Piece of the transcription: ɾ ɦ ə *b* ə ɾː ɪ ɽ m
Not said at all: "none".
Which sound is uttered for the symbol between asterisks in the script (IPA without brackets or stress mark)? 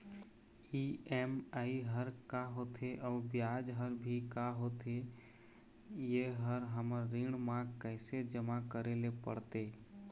m